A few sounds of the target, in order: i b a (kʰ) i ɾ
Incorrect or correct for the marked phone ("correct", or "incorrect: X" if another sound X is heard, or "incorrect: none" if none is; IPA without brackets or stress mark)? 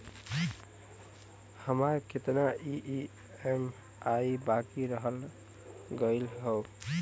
incorrect: k